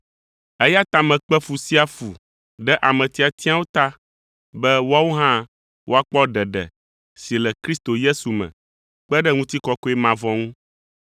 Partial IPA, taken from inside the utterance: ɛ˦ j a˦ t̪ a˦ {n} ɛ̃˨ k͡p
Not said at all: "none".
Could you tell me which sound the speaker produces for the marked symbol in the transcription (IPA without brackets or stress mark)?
m